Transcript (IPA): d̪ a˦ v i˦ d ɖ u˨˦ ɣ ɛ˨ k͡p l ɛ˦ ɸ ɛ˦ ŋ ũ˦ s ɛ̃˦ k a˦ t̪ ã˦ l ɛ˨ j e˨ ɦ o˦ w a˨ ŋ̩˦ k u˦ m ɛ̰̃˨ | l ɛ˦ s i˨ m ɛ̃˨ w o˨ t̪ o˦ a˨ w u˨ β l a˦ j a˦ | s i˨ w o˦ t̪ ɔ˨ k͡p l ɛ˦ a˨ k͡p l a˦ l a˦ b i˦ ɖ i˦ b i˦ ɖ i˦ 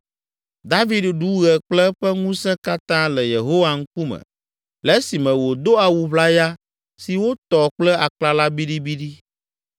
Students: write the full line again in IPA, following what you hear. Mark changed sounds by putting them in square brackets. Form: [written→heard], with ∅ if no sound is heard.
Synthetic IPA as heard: d̪ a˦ v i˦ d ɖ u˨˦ ɣ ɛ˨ k͡p l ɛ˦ ɸ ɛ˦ ŋ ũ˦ s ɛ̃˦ k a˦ t̪ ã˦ l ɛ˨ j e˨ ɦ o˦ w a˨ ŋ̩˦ k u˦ m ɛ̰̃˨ | l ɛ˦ s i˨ m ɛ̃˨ w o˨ [t̪→d̪] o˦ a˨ w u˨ β l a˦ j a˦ | s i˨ w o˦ t̪ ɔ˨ k͡p l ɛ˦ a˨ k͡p l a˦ l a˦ b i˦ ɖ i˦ b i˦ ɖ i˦